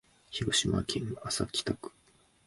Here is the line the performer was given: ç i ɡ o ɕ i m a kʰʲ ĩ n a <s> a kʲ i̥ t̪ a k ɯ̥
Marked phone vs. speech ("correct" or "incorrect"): correct